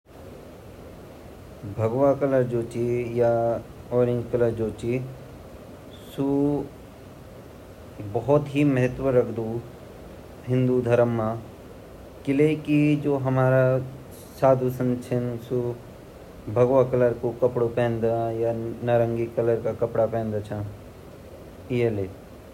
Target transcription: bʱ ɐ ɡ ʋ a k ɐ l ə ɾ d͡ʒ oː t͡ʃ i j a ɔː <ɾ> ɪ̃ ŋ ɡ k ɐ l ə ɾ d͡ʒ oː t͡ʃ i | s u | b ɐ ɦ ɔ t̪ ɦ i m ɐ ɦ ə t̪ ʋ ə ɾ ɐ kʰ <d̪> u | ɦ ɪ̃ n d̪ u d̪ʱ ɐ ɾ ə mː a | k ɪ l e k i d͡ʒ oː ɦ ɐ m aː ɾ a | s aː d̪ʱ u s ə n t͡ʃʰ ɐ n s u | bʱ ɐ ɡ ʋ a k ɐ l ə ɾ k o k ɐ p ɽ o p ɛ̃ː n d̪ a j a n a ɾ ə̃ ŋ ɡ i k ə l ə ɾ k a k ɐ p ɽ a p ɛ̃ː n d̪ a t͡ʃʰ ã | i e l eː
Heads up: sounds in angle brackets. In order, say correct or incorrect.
correct, correct

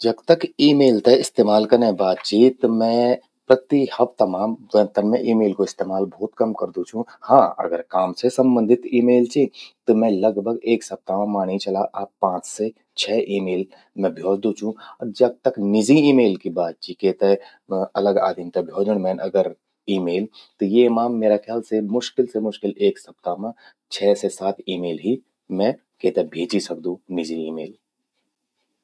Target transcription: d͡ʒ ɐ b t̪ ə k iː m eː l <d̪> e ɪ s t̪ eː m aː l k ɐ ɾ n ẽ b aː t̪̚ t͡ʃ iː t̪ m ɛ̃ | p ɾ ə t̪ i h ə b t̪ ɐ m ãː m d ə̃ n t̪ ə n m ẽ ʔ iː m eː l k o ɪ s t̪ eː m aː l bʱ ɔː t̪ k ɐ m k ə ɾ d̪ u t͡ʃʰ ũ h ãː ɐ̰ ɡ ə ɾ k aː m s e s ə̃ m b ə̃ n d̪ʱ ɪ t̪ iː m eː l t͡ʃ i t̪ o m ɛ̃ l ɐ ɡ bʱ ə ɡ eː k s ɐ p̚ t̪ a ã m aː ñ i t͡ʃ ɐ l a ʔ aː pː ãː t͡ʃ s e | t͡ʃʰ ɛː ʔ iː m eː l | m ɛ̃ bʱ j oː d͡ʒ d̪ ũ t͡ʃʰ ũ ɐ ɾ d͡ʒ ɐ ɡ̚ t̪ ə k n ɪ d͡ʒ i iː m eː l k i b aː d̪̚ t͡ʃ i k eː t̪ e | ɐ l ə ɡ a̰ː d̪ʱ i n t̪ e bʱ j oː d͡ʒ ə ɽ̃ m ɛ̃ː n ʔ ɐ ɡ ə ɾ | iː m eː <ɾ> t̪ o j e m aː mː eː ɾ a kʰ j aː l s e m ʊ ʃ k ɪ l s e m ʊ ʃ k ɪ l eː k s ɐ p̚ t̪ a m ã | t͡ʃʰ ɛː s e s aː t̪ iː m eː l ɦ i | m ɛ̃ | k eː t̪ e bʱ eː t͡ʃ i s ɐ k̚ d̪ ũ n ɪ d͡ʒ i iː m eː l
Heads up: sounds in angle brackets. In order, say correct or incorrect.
incorrect, incorrect

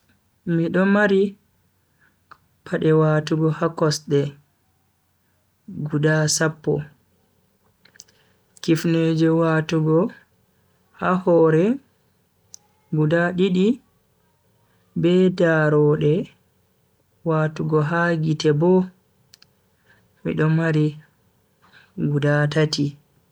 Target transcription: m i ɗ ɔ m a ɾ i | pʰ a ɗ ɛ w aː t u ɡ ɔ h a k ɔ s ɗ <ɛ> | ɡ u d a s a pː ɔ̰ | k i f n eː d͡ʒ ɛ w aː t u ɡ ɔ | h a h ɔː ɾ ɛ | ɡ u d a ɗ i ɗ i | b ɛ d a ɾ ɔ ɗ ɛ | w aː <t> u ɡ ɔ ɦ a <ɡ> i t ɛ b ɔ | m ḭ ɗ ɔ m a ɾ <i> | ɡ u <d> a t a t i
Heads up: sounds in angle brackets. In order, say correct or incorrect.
correct, correct, correct, correct, correct

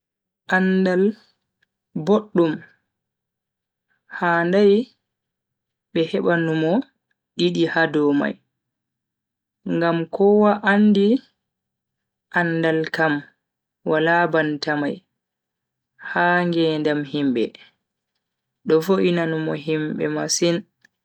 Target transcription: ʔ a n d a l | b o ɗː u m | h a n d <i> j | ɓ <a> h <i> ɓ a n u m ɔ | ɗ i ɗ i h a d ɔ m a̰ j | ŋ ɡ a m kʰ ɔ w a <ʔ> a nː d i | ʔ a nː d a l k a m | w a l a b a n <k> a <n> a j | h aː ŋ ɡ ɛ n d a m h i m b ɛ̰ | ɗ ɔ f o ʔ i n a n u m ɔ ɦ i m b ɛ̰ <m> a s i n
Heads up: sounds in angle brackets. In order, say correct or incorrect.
incorrect, incorrect, incorrect, correct, incorrect, incorrect, correct

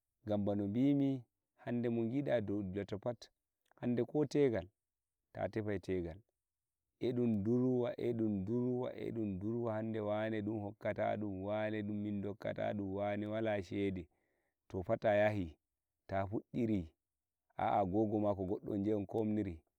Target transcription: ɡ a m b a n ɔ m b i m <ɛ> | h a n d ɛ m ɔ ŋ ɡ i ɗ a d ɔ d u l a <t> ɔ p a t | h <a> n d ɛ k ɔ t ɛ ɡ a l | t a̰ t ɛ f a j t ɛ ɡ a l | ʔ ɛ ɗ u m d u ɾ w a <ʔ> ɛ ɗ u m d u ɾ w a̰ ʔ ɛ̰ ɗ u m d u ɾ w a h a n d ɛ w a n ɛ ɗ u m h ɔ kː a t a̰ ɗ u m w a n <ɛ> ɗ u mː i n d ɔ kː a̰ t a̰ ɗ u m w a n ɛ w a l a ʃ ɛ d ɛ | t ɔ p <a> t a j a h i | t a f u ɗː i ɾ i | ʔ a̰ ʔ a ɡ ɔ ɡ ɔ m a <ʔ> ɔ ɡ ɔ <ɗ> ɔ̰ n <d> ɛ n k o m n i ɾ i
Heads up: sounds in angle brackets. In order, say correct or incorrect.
incorrect, correct, correct, correct, correct, correct, incorrect, incorrect, incorrect

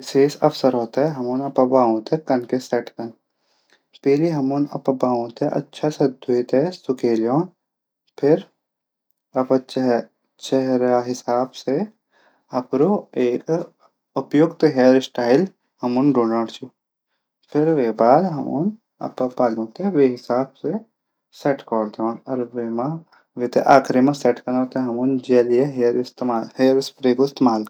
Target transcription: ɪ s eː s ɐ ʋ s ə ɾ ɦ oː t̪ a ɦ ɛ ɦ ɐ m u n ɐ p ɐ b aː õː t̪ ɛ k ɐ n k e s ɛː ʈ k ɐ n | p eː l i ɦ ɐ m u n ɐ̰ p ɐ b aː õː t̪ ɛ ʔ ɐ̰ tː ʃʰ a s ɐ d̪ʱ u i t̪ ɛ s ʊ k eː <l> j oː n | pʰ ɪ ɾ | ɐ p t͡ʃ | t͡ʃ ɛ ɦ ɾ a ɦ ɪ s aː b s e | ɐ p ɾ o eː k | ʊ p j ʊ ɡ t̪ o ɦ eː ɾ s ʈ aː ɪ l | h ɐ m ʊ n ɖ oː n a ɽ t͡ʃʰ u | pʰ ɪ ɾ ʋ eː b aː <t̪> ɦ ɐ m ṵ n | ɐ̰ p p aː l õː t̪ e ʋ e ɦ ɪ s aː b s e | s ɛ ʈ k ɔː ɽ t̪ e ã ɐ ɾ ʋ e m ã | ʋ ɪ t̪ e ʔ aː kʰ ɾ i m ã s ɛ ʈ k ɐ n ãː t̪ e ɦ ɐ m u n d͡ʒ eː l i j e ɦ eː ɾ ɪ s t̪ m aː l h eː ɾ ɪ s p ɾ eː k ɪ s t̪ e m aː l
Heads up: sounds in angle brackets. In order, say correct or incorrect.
correct, incorrect

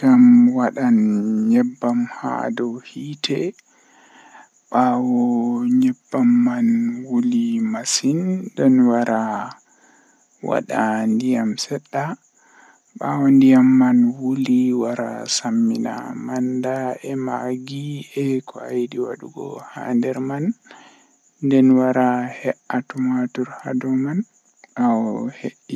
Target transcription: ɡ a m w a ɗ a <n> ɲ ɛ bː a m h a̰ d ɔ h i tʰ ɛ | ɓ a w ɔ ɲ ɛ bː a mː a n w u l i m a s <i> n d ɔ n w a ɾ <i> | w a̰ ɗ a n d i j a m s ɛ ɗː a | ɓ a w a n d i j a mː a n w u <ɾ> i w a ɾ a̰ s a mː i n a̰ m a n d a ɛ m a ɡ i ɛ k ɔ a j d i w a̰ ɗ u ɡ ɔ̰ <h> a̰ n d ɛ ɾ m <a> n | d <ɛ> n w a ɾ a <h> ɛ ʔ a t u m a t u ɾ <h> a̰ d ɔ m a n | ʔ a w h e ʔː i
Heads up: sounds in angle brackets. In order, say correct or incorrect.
correct, correct, incorrect, incorrect, correct, correct, correct, correct, correct

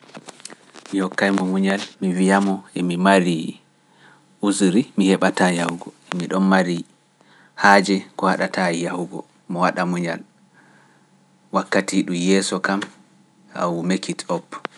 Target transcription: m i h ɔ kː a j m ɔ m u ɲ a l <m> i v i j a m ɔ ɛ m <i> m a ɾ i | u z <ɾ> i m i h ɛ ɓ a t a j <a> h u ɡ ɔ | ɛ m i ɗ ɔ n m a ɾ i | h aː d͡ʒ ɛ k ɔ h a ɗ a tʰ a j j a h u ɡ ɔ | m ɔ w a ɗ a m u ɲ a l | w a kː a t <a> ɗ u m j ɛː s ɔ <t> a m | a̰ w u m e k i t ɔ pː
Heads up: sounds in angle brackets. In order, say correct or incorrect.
correct, correct, correct, correct, incorrect, incorrect

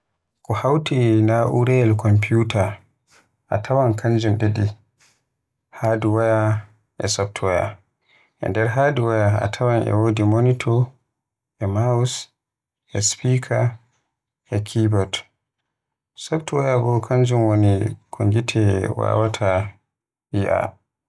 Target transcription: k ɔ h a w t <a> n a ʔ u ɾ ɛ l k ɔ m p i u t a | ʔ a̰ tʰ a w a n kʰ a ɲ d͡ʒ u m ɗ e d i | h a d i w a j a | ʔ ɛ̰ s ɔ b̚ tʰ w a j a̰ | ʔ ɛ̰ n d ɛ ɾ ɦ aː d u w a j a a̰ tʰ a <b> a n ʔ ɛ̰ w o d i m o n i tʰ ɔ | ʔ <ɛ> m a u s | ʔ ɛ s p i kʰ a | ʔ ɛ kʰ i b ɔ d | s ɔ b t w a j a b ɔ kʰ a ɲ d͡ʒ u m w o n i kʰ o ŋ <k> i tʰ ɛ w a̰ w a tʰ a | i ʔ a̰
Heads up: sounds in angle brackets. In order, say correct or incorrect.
incorrect, incorrect, correct, incorrect

